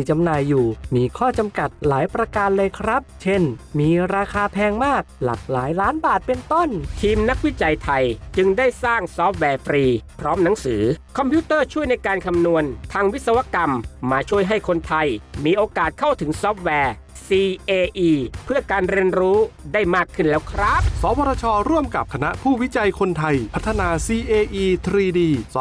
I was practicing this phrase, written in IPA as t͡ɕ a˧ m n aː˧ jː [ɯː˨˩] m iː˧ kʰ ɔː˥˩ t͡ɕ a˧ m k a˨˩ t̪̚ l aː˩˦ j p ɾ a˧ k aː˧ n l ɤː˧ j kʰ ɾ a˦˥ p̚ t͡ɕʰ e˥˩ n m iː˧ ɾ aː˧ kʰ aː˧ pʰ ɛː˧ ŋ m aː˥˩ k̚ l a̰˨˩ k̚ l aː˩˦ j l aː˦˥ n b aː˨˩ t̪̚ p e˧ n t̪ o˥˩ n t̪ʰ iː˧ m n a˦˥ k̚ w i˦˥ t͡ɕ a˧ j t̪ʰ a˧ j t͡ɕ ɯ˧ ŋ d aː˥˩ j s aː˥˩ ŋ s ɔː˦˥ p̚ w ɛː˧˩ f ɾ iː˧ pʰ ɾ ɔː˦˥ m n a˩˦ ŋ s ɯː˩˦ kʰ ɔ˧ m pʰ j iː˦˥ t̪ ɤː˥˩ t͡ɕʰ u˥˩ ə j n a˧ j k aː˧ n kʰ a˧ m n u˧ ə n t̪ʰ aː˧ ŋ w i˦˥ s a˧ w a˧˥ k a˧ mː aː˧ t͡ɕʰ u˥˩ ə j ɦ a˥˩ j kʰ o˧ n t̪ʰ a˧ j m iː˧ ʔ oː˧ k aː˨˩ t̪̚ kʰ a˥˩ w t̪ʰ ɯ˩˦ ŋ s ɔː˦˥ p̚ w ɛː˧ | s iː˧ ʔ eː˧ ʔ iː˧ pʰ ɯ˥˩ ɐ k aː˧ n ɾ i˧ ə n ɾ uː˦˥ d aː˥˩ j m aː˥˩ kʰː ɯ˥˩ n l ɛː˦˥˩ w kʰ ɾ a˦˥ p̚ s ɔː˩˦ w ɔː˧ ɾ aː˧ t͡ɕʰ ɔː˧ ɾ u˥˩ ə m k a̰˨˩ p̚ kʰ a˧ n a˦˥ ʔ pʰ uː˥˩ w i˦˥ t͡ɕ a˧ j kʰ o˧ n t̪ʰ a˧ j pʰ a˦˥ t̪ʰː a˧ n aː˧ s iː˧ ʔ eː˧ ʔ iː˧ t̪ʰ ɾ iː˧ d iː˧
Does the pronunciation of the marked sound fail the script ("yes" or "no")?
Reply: yes